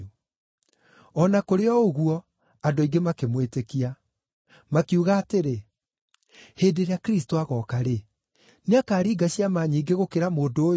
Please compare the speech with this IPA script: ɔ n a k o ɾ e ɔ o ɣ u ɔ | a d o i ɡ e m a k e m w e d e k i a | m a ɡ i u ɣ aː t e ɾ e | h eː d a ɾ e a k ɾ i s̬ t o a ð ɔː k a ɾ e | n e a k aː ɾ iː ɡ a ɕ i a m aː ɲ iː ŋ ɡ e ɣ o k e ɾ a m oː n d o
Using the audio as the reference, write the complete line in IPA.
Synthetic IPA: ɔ n a k o ɾ e ɔ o ɣ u ɔ | a d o i ɡ e m a k e m w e t e k i a | m a k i u ɣ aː t e ɾ e | h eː d e ɾ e a k ɾ i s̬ t o a ɣ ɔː k a ɾ e | n e a k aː ɾ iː ɡ a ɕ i a m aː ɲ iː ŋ ɡ e ɣ o k e ɾ a m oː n d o